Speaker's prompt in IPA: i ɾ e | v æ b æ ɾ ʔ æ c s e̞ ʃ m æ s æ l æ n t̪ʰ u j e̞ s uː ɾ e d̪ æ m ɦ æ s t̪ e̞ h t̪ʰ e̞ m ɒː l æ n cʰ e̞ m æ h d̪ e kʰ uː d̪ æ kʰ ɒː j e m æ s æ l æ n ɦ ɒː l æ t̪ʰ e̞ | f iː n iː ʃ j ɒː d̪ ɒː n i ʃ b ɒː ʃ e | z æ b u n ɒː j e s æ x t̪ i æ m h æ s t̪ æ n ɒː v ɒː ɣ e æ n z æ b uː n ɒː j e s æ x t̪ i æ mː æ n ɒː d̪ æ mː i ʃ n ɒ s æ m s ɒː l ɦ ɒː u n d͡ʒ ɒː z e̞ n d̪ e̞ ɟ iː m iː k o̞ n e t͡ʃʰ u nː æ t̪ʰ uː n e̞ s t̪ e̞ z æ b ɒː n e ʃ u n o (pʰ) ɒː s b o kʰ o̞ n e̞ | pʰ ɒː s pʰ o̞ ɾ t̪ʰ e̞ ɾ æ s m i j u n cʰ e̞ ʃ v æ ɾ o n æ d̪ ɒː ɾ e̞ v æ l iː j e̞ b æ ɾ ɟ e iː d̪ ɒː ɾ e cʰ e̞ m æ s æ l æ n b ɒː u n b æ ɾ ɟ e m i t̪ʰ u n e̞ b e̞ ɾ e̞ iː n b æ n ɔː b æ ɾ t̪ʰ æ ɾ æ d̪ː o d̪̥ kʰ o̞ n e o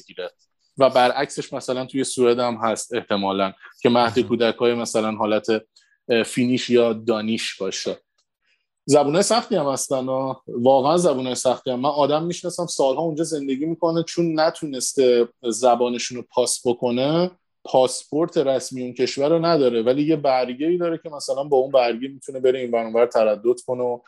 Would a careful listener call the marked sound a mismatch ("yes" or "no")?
no